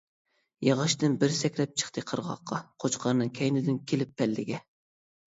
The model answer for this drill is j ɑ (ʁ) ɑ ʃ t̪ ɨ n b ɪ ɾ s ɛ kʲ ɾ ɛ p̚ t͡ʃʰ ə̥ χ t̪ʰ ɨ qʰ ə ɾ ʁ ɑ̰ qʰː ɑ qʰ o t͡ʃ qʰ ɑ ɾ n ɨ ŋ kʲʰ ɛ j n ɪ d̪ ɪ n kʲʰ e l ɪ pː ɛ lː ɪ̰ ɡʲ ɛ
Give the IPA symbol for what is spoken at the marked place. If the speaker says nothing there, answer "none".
ʁ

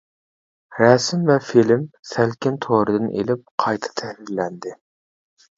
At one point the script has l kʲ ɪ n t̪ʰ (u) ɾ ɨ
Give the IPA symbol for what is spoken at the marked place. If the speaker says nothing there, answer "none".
o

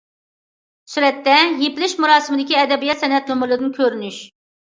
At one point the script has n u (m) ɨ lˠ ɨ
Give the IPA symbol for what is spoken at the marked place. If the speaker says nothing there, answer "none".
m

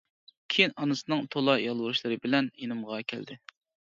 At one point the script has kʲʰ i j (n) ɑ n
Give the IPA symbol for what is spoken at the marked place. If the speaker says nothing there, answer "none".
n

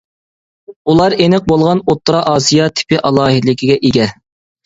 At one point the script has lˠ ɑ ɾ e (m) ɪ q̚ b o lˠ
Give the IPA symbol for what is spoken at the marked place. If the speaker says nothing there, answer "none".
n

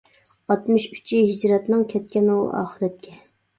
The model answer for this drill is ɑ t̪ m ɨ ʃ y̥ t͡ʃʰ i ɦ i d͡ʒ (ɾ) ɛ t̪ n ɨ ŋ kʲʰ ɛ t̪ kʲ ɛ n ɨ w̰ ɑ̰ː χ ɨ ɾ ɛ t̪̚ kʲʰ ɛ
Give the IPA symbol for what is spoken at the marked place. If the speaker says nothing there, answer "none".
ɾ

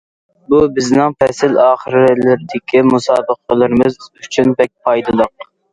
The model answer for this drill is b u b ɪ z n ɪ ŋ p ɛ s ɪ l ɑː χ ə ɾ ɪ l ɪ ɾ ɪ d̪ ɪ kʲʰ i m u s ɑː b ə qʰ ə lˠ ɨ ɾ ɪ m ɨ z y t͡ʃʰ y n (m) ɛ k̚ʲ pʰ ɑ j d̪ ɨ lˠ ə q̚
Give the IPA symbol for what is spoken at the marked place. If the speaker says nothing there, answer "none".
b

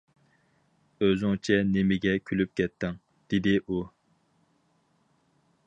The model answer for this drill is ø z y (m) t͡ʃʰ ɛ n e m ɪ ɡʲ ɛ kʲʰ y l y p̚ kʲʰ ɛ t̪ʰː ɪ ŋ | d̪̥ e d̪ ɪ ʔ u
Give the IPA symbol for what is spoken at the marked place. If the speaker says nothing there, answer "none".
ŋ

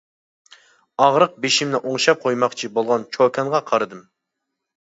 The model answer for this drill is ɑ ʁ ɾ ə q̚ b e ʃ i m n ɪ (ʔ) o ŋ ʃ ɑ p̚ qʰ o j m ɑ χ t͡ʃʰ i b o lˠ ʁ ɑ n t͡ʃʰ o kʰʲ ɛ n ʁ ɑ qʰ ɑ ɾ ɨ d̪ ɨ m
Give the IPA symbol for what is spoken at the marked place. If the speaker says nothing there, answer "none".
ʔ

